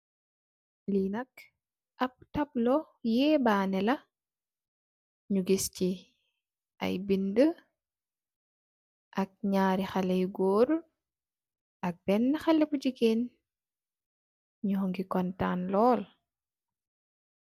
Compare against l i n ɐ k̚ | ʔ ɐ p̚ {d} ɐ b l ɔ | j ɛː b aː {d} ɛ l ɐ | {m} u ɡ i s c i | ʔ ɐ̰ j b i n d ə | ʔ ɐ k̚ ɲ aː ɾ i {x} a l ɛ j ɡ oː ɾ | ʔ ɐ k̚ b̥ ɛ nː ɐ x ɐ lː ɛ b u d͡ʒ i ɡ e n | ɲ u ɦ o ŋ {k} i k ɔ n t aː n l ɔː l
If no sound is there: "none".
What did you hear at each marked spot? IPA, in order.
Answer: t, n, ɲ, x, ɡ

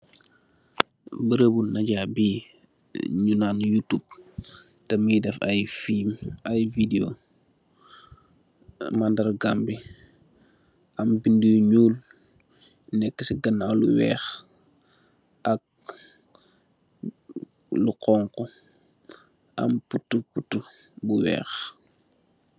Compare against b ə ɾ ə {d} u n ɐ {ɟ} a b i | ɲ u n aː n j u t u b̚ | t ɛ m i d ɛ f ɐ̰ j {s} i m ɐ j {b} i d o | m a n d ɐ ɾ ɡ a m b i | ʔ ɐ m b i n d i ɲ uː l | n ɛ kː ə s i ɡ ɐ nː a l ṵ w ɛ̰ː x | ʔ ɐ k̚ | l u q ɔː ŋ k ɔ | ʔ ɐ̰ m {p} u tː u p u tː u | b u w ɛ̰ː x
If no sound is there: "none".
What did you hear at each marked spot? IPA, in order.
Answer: b, ɟ, f, v, p

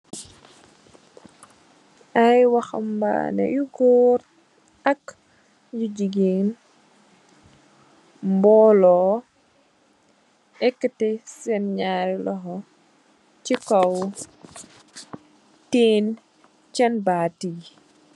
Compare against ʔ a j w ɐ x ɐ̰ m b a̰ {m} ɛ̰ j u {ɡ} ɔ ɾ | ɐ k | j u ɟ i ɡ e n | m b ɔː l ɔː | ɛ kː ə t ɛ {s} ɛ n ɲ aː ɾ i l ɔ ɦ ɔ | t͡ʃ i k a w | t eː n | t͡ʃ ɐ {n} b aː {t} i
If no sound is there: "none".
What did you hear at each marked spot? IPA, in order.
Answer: n, ɡ, s, n, t

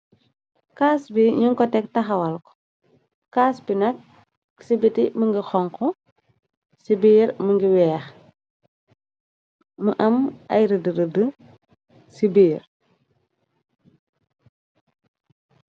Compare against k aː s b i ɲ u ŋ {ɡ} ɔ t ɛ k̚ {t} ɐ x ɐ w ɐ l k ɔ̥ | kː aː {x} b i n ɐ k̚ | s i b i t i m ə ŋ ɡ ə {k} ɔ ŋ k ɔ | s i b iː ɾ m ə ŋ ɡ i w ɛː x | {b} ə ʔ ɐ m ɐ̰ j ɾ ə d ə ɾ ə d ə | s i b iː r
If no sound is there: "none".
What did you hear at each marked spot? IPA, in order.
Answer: k, t, s, x, m

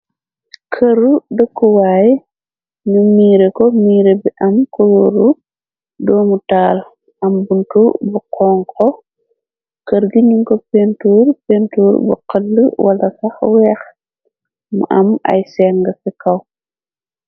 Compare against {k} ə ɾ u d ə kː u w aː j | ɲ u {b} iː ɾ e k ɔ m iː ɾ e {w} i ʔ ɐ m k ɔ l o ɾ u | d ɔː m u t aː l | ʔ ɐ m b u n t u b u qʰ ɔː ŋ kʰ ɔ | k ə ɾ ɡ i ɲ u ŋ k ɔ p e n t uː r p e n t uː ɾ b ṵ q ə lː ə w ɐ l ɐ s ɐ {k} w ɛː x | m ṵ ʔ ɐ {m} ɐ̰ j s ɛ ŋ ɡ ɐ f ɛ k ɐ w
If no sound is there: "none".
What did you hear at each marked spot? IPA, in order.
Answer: kʰ, m, b, x, m

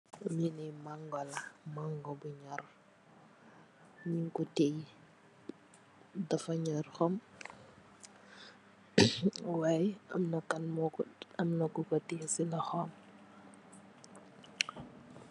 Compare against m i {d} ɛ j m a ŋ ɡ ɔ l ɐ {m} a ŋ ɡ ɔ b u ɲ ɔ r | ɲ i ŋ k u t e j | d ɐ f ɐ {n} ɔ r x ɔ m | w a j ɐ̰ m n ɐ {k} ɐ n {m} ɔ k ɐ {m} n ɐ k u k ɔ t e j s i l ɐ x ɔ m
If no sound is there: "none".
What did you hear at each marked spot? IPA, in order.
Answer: n, m, ɲ, k, m, m

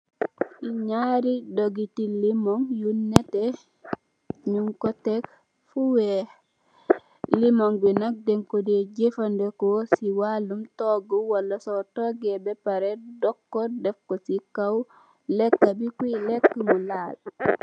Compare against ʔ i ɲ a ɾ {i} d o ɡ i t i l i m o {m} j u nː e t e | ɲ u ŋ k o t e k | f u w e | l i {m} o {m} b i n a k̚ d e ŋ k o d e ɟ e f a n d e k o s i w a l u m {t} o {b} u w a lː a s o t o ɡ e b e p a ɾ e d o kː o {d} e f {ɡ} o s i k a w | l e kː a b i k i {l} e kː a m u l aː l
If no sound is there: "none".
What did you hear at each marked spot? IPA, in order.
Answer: i, ŋ, m, ŋ, t, ɡ, d, k, l

